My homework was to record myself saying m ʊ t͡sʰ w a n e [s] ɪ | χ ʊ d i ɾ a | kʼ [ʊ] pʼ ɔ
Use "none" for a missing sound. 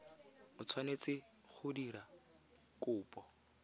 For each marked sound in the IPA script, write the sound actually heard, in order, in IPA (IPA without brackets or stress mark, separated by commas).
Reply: t͡s, ʊː